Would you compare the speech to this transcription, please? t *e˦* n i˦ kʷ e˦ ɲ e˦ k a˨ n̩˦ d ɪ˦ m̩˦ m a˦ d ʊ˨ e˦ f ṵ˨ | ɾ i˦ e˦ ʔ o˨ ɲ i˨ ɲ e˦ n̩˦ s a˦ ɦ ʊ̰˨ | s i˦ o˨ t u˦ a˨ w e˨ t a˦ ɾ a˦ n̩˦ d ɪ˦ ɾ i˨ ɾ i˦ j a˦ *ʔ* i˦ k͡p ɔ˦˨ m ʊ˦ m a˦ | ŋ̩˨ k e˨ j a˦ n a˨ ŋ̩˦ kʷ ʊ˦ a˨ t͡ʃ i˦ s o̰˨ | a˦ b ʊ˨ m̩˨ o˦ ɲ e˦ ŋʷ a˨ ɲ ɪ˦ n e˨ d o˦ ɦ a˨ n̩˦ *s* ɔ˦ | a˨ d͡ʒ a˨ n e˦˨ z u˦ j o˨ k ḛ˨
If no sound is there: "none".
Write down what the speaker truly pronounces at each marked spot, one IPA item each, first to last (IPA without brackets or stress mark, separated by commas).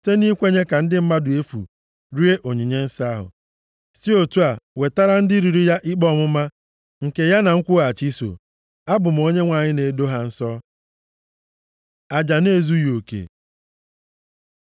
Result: e˦, ʔ, s